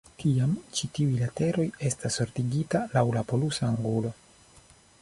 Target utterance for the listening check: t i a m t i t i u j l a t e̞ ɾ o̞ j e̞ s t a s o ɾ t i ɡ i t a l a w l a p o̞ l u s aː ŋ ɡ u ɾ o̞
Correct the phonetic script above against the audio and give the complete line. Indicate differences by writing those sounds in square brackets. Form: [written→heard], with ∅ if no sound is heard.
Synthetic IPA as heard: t i a m [t→t͡ʃ] i t i u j l a t e̞ ɾ o̞ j e̞ s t a s o ɾ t i ɡ i t a l a w l a p o̞ l u s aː ŋ ɡ u [ɾ→l] o̞